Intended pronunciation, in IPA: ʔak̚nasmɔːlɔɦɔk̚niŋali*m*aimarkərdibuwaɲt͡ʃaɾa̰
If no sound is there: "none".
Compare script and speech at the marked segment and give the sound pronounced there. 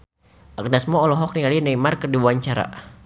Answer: n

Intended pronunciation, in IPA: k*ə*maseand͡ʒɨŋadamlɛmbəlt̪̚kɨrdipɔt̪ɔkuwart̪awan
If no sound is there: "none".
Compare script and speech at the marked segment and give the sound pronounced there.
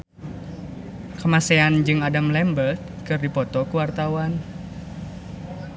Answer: ə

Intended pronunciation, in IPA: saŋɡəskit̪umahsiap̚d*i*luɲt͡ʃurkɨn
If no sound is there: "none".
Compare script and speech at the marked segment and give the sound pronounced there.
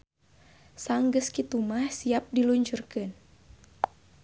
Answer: i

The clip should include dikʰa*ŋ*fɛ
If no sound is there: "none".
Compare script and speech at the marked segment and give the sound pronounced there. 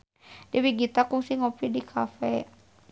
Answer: none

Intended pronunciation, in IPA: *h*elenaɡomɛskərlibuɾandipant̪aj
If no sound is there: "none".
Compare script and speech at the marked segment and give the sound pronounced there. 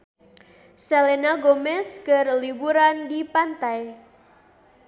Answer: s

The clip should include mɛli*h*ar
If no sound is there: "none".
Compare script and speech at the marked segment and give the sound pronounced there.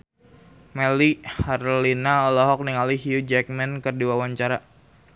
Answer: h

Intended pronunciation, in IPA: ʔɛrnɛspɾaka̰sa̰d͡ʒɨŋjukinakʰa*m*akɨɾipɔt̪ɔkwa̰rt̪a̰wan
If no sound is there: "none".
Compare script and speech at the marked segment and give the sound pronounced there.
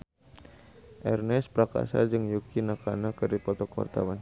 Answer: n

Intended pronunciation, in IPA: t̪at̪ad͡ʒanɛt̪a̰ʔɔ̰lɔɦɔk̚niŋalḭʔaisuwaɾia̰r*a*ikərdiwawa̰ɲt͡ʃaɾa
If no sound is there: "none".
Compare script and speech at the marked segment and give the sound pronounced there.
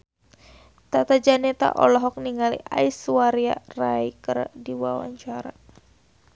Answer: a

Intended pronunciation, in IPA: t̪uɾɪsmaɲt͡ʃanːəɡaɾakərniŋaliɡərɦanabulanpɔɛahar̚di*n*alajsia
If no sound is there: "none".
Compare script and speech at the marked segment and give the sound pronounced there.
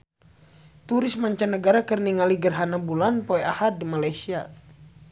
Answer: m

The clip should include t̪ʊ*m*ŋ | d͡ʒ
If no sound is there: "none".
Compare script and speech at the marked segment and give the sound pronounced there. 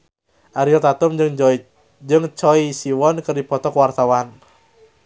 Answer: m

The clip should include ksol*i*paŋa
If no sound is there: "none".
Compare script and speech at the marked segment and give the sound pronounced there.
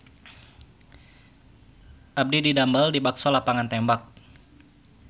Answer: a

